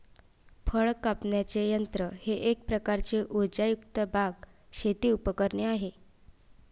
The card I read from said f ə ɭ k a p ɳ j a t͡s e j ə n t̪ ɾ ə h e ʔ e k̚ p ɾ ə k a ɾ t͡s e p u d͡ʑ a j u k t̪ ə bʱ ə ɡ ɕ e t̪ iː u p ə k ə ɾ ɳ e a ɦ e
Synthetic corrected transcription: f ə ɭ k a p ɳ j a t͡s e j ə n t̪ ɾ ə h e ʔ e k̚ p ɾ ə k a ɾ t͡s e ʔ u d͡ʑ a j u k t̪ ə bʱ a ɡ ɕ e t̪ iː u p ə k ə ɾ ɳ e a ɦ e

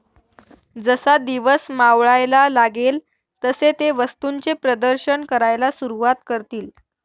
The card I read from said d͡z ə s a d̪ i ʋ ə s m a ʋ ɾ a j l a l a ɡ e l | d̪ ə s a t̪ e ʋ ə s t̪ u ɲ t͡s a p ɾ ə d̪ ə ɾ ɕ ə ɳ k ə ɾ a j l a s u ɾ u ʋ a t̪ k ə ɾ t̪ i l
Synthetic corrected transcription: d͡z ə s a d̪ i ʋ ə s m a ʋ ɭ a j l a l a ɡ e l | t̪ ə s e t̪ e ʋ ə s t̪ u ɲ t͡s e p ɾ ə d̪ ə ɾ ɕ ə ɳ k ə ɾ a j l a s u ɾ u ʋ a t̪ k ə ɾ t̪ iː l

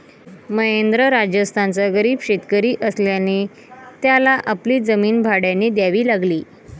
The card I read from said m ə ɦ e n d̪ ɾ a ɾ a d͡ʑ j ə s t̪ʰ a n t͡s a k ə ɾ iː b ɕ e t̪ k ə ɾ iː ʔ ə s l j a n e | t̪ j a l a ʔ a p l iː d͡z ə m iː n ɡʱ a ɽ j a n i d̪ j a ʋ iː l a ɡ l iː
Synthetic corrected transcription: m ə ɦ e n d̪ ɾ ə ɾ a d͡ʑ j ə s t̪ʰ a n t͡s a ɡ ə ɾ iː b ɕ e t̪ k ə ɾ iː ʔ ə s l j a n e | t̪ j a l a ʔ a p l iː d͡z ə m iː n bʱ a ɽ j a n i d̪ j a ʋ iː l a ɡ l iː

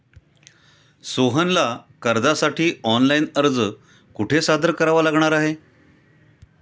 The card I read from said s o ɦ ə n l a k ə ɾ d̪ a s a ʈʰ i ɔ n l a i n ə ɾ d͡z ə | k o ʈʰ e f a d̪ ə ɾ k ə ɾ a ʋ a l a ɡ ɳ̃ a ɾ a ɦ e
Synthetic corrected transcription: s o ɦ ə n l a k ə ɾ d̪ a s a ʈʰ iː ɔ n l a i n ə ɾ d͡z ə | k u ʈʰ e s a d̪ ə ɾ k ə ɾ a ʋ a l a ɡ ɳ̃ a ɾ a ɦ e

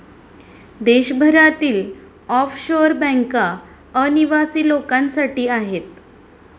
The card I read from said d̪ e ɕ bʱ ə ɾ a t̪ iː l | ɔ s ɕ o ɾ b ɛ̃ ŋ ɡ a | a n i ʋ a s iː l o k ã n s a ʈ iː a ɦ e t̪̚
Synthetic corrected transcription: d̪ e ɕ bʱ ə ɾ a t̪ iː l | ɔ f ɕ o ɾ b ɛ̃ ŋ k a | ə n i ʋ a s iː l o k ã n s a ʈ iː a ɦ e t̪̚

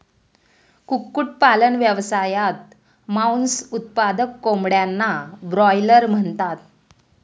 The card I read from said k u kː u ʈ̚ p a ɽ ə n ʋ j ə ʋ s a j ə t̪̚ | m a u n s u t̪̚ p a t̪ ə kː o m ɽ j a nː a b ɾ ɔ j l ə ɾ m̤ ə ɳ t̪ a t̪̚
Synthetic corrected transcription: k u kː u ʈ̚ p a l ə n ʋ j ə ʋ s a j a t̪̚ | m a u n s u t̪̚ p a d̪ ə kː o m ɽ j a nː a b ɾ ɔ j l ə ɾ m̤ ə ɳ t̪ a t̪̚

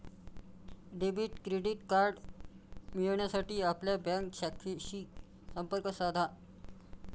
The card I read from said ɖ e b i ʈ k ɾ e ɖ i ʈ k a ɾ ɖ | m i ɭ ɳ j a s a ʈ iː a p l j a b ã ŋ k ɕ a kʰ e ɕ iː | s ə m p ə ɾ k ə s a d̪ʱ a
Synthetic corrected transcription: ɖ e b i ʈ k ɾ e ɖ i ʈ k a ɾ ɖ | m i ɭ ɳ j a s a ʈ iː a p l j a b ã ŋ k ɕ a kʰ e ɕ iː | s ə m p ə ɾ k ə s a d̪ʱ a

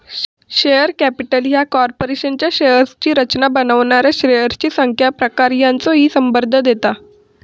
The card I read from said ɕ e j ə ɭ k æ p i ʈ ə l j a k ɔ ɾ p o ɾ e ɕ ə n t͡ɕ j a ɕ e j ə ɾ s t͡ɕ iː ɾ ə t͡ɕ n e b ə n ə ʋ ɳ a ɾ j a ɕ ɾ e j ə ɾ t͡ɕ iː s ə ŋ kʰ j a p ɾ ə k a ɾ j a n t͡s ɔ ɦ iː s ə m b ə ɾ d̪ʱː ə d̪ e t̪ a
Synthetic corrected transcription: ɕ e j ə ɾ k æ p i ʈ ə l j a k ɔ ɾ p o ɾ e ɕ ə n t͡ɕ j a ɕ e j ə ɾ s t͡ɕ iː ɾ ə t͡ɕ n a b ə n ə ʋ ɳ a ɾ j a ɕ ɾ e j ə ɾ t͡ɕ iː s ə ŋ kʰ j a p ɾ ə k a ɾ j a n t͡s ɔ ɦ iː s ə m b ə ɾ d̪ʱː ə d̪ e t̪ a

